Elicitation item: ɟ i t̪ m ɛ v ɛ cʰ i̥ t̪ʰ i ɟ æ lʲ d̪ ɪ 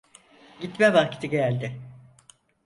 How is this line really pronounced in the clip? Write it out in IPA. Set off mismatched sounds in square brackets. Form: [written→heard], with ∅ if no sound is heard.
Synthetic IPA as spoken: ɟ i t̪ m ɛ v [ɛ→a] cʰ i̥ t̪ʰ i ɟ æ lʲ d̪ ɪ